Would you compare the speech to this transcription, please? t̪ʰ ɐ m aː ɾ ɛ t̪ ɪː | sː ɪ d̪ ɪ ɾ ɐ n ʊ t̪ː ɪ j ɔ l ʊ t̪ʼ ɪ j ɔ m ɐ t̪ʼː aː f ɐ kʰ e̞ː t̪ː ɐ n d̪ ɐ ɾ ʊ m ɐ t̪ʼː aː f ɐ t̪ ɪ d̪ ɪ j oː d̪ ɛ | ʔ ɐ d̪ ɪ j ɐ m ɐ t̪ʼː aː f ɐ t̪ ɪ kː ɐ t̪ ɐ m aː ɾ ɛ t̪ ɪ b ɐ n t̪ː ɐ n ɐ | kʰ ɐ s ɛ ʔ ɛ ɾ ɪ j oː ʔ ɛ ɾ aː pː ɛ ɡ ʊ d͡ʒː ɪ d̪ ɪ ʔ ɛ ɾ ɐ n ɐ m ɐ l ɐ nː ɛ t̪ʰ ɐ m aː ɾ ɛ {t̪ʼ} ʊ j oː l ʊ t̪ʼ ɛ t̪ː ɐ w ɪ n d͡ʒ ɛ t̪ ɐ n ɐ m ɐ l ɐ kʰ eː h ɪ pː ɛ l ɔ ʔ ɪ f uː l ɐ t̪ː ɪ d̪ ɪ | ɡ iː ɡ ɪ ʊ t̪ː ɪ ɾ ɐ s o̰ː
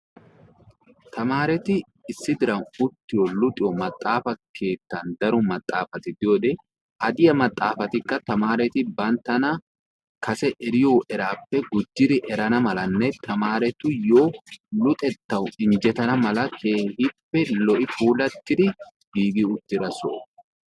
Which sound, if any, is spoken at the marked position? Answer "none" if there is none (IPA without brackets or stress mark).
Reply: t̪